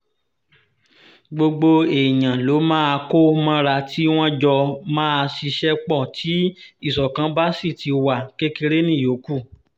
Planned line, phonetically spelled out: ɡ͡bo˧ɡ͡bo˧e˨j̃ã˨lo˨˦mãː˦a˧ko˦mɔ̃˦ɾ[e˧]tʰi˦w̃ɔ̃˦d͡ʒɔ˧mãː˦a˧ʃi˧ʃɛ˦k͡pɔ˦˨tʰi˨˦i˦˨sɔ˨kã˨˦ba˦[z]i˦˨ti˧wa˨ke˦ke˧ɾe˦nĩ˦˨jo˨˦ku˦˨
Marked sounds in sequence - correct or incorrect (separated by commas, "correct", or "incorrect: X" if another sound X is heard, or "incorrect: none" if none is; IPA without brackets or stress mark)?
incorrect: a˧, incorrect: s